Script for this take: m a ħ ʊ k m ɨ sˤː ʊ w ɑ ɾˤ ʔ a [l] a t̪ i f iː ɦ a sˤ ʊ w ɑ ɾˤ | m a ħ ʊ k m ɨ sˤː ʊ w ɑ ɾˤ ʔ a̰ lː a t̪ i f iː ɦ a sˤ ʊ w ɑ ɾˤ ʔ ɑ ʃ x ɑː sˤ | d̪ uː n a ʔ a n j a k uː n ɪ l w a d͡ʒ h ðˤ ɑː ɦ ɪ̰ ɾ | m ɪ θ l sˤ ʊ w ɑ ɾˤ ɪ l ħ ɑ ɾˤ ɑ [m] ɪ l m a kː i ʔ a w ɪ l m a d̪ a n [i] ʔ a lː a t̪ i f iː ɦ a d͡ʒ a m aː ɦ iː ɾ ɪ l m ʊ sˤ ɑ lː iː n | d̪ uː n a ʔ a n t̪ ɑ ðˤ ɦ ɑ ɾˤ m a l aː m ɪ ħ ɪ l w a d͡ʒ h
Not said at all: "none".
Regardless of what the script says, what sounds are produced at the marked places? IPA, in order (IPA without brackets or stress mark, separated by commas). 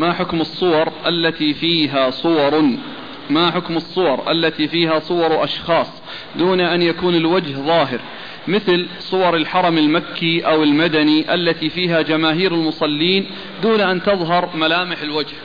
lː, m, i